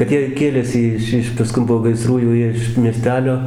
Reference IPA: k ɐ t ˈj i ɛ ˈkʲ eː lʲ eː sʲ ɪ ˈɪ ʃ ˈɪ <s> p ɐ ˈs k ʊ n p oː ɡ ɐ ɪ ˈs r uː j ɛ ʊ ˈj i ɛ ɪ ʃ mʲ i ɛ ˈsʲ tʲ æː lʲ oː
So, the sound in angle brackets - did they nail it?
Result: no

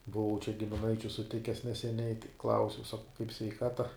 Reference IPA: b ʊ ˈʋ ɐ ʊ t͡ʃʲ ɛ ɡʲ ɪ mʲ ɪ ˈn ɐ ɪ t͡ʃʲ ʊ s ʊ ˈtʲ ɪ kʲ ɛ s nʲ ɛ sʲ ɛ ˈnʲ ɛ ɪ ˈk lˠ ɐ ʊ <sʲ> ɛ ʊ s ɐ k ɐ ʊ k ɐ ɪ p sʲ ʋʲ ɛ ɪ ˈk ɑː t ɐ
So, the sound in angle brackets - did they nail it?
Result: yes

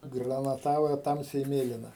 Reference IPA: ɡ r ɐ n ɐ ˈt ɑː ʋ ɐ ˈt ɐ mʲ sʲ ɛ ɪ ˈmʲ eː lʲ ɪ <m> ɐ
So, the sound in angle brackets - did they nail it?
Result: no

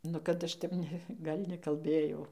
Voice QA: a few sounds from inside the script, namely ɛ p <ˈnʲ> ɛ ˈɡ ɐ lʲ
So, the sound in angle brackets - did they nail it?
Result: yes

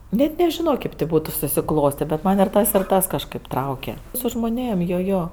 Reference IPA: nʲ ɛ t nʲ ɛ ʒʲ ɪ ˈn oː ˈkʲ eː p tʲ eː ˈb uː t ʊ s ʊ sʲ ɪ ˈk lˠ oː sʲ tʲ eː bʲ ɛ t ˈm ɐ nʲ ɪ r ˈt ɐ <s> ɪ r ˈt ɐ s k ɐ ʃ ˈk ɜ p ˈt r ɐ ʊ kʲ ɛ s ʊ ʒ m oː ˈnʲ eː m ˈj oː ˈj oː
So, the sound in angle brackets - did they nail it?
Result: yes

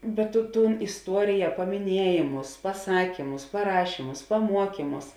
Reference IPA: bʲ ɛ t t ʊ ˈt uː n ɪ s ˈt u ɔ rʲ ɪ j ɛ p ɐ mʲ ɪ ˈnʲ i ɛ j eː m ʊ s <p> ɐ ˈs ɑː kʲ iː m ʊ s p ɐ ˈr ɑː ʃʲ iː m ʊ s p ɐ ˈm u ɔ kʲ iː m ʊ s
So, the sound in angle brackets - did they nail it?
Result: yes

